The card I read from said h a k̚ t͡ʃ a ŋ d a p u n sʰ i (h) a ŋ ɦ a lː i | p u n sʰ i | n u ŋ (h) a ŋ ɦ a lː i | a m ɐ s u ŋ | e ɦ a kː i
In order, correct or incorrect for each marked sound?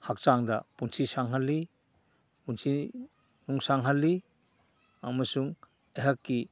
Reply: incorrect: s, incorrect: s

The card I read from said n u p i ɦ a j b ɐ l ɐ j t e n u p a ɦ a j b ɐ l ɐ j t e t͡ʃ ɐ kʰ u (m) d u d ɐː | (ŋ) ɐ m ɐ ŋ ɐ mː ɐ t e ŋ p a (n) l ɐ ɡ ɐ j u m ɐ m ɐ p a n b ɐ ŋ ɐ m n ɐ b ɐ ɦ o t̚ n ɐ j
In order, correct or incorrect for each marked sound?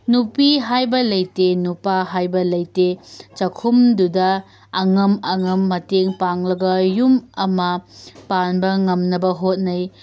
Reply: correct, correct, incorrect: ŋ

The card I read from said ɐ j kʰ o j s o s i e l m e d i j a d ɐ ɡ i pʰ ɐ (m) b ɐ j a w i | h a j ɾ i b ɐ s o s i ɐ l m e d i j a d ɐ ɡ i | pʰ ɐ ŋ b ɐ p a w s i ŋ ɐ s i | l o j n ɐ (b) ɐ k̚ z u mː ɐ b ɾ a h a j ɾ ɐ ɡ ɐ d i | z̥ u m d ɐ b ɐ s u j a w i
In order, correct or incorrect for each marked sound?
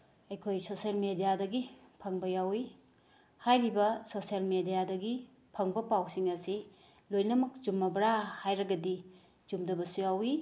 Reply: incorrect: ŋ, incorrect: m

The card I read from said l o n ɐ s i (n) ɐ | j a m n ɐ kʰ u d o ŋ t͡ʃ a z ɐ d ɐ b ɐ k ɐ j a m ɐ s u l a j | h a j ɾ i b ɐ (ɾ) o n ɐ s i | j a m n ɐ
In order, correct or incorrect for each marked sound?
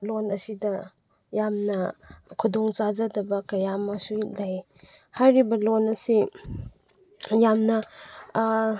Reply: incorrect: d, incorrect: l

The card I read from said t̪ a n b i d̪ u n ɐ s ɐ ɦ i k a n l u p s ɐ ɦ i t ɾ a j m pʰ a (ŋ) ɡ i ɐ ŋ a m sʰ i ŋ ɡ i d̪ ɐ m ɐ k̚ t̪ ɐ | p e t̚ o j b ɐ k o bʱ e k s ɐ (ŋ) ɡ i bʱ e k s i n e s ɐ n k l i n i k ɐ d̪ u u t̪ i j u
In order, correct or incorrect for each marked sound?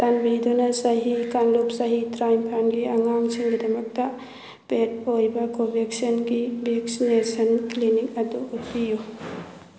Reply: incorrect: n, incorrect: n

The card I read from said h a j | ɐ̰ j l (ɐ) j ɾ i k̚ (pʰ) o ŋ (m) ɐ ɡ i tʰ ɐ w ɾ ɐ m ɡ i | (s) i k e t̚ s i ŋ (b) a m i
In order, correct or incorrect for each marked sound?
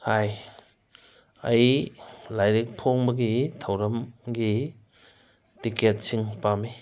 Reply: incorrect: a, correct, incorrect: b, incorrect: t, incorrect: p

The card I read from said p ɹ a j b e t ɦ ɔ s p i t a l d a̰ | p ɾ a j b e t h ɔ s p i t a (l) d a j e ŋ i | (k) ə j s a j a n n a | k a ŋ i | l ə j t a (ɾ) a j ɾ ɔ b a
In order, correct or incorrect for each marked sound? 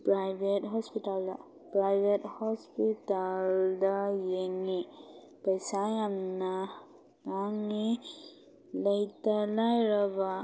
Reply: correct, incorrect: p, incorrect: l

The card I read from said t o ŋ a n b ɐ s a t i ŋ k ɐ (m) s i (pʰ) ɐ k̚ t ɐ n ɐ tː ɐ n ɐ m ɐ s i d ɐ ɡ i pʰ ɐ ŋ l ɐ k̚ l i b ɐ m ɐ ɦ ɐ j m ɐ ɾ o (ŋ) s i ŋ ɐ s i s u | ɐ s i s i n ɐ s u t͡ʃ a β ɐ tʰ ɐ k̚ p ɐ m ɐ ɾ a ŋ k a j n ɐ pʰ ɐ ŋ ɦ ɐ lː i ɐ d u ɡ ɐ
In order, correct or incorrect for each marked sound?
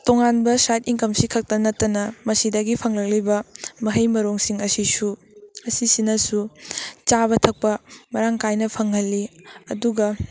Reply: correct, incorrect: kʰ, correct

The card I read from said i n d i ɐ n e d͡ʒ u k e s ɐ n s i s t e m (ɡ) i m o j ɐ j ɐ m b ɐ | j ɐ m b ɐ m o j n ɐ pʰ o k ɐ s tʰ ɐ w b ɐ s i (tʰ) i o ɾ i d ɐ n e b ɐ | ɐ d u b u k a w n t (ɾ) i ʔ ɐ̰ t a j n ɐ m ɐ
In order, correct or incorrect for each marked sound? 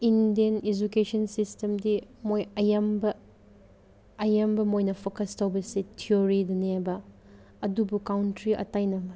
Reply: incorrect: d, correct, correct

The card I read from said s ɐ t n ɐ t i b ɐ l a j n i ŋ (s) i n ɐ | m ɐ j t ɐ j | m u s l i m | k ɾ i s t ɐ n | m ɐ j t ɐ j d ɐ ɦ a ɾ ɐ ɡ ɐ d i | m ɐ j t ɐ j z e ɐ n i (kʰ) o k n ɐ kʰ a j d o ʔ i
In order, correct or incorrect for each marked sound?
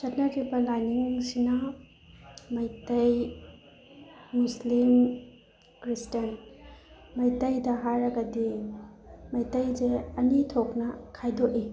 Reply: correct, incorrect: tʰ

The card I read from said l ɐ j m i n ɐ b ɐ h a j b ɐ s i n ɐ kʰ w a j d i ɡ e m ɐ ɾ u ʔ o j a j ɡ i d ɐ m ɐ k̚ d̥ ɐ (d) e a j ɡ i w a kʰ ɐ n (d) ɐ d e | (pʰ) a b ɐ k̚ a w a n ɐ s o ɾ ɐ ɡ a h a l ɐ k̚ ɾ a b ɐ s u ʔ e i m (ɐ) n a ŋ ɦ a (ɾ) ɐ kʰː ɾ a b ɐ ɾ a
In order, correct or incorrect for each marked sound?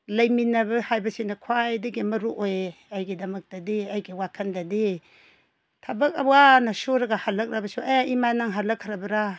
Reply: correct, correct, incorrect: tʰ, incorrect: a, incorrect: l

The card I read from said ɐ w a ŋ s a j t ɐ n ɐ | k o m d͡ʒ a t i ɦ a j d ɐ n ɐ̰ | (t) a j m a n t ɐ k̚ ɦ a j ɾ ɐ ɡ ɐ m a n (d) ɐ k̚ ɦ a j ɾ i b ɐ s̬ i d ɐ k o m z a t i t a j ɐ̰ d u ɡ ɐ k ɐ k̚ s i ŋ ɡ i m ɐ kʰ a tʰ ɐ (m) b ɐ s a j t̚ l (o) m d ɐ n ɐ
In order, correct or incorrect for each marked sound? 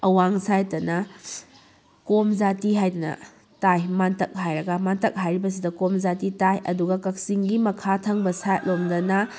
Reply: correct, incorrect: t, incorrect: ŋ, correct

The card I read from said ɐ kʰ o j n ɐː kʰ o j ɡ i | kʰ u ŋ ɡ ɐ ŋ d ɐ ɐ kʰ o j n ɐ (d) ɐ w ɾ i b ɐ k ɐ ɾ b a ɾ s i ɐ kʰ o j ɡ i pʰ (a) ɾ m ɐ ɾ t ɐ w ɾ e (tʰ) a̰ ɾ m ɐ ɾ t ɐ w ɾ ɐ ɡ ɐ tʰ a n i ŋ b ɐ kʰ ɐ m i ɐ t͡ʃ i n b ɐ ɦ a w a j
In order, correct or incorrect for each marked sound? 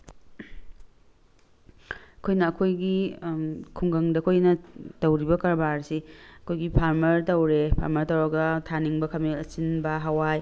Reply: incorrect: t, correct, incorrect: pʰ

